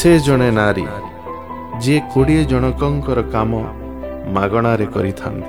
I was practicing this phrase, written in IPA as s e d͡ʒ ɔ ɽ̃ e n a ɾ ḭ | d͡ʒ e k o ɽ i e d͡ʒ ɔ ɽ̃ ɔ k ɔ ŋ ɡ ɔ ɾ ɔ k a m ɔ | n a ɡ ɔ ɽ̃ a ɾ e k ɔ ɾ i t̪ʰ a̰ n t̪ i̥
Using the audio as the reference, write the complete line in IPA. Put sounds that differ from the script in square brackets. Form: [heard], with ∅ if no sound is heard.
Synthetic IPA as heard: s e d͡ʒ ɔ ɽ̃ e n a ɾ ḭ | d͡ʒ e k o ɽ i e d͡ʒ ɔ ɽ̃ ɔ k ɔ ŋ [k] ɔ ɾ ɔ k a m ɔ | [m] a ɡ ɔ ɽ̃ a ɾ e k ɔ ɾ i t̪ʰ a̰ n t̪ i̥